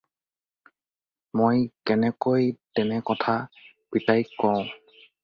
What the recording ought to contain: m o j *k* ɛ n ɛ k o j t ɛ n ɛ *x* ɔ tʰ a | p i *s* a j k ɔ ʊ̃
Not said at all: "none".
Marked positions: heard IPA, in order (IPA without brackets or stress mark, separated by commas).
k, k, t